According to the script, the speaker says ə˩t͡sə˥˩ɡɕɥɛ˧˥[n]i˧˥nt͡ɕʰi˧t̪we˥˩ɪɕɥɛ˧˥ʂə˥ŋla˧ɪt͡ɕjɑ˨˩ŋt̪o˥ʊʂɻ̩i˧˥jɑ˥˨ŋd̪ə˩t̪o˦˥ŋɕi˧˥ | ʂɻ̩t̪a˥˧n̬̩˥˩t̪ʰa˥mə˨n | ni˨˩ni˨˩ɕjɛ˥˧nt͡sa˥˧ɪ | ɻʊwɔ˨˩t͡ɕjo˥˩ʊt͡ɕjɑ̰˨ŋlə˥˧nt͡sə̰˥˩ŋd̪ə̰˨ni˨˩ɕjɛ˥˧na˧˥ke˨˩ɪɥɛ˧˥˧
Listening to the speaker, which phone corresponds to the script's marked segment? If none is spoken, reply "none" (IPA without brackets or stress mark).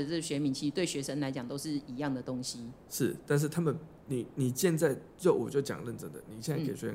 m